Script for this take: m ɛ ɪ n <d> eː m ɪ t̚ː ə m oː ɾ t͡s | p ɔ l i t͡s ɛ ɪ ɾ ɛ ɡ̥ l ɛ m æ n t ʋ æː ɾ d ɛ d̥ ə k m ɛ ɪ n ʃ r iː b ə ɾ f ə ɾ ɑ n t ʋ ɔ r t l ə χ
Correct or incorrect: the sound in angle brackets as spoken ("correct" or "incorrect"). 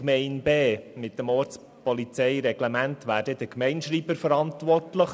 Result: incorrect